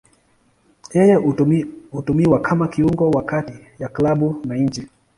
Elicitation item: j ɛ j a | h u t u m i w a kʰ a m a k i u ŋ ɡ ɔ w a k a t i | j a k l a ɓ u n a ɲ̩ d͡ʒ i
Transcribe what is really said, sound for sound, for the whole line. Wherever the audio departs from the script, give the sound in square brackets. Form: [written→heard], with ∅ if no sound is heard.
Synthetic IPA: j ɛ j [a→ɛ] | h u t u m i w a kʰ a m a k i u ŋ ɡ ɔ w a k a t i | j a k l a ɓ u n a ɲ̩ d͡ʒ i

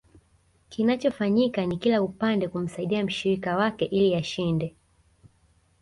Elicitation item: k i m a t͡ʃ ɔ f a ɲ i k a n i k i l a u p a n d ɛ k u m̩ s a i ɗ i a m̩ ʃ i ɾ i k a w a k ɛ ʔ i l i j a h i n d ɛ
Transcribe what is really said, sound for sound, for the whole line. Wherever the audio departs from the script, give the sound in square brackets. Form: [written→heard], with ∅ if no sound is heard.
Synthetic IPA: k i [m→n] a t͡ʃ ɔ f a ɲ i k a n i k i l a u p a n d ɛ k u m̩ s a i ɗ i a m̩ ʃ i ɾ i k a w a k ɛ ʔ i l i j a [h→ʃ] i n d ɛ

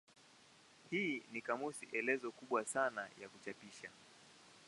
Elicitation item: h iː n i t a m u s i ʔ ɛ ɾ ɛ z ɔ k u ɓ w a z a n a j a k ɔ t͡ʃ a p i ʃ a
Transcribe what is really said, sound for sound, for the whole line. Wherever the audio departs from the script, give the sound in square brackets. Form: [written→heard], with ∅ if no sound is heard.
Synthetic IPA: h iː n i [t→k] a m u s i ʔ ɛ [ɾ→l] ɛ z ɔ k u ɓ w a [z→s] a n a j a k [ɔ→u] t͡ʃ a p i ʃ a

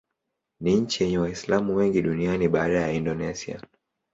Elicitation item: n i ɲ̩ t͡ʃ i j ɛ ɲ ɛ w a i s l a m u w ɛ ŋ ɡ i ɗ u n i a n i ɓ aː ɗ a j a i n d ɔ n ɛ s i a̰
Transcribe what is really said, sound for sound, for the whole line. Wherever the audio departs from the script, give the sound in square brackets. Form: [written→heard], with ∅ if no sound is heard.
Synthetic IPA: n i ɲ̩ t͡ʃ i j ɛ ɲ ɛ w a i s l a m u w ɛ ŋ ɡ i ɗ u n i a n i ɓ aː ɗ a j a i n d ɔ n ɛ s i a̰

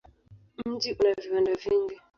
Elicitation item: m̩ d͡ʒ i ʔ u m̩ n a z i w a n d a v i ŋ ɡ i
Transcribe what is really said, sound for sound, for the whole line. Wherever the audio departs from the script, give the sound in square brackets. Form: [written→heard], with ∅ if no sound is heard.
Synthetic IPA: m̩ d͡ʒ i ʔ u [m̩→∅] n a [z→v] i w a n d a v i ŋ ɡ i

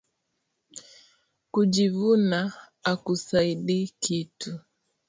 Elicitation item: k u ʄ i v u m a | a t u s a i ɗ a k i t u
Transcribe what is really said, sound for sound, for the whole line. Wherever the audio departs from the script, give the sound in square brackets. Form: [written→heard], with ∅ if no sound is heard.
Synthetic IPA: k u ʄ i v u [m→n] a | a [t→k] u s a i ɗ [a→i] k i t u

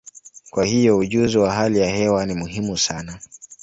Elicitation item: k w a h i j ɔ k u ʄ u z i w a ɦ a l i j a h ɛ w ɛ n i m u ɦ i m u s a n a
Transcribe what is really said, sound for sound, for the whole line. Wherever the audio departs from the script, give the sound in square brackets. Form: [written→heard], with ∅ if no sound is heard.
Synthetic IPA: k w a h i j ɔ [k→∅] u ʄ u z i w a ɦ a l i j a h ɛ w [ɛ→a] n i m u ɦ i m u s a n a

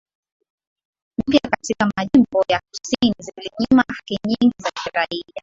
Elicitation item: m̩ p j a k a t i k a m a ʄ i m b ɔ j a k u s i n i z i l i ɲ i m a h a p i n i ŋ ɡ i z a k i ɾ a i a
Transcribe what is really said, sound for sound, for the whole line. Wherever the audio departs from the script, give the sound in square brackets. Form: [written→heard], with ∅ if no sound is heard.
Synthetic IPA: m̩ p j a k a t i k a m a ʄ i m b ɔ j a k u s i n i z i l i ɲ i m a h a [p→k] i [n→ɲ] i ŋ ɡ i z a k i ɾ a i a

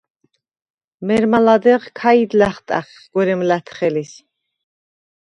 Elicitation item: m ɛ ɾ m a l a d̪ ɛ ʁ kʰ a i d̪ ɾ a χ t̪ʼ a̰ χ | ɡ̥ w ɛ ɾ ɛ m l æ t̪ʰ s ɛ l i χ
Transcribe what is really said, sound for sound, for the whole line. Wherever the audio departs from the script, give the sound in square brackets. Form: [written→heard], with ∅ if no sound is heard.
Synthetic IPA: m ɛ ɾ m a l a d̪ ɛ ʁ kʰ a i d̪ [ɾ→l] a χ t̪ʼ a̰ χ | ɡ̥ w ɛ ɾ ɛ m l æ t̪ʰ [s→χ] ɛ l i [χ→s]

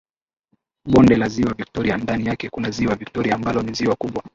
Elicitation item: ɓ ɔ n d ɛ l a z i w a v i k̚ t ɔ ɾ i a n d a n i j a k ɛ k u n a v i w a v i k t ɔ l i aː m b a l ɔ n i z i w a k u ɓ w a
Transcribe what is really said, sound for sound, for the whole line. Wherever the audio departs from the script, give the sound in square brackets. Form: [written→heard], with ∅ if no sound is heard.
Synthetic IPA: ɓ ɔ n d ɛ l a z i w a v i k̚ t ɔ ɾ i a n d a n i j a k ɛ k u n a [v→z] i w a v i k t ɔ [l→ɾ] i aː m b a l ɔ n i z i w a k u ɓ w a

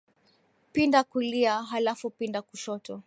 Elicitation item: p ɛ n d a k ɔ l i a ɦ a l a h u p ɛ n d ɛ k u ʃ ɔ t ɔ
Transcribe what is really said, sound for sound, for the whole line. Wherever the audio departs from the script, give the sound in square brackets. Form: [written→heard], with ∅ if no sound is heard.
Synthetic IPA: p [ɛ→i] n d a k [ɔ→u] l i a ɦ a l a [h→f] u p [ɛ→i] n d [ɛ→a] k u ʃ ɔ t ɔ

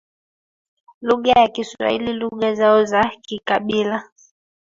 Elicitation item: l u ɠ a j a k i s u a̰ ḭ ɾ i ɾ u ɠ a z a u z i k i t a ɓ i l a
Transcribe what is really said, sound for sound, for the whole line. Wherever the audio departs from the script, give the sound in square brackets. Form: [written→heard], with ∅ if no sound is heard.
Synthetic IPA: l u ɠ a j a k i s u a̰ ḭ [ɾ→l] i [ɾ→l] u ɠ a z a [u→ɔ] z [i→a] k i [t→k] a ɓ i l a

